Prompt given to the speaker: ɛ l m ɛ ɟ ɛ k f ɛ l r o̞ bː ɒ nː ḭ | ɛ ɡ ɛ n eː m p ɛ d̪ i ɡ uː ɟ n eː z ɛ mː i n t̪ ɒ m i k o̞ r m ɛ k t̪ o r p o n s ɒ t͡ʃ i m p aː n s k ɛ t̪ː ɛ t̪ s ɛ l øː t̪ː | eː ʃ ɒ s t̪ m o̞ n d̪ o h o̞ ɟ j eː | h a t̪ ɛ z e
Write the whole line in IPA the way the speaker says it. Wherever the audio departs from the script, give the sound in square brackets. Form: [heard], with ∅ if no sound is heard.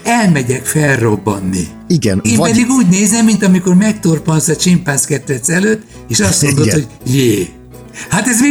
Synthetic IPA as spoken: ɛ l m ɛ ɟ ɛ k f ɛ l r o̞ bː ɒ nː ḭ | [i] ɡ ɛ n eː m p ɛ d̪ i ɡ uː ɟ n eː z ɛ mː i n t̪ ɒ m i k o̞ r m ɛ k t̪ o r p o n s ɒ t͡ʃ i m p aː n s k ɛ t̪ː ɛ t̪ s ɛ l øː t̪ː | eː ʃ ɒ s t̪ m o̞ n d̪ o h o̞ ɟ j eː | h a t̪ ɛ z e